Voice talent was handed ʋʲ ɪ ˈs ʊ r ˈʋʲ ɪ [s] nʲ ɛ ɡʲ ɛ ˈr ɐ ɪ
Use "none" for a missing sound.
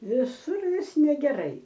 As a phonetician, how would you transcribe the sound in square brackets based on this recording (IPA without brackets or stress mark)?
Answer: s